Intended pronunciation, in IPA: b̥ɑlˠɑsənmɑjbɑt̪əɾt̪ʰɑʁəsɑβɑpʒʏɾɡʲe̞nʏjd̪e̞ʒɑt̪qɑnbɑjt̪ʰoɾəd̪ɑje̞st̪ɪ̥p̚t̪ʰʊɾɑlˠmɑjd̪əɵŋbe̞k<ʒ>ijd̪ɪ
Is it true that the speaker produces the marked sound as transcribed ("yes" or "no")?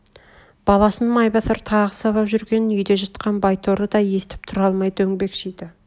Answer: no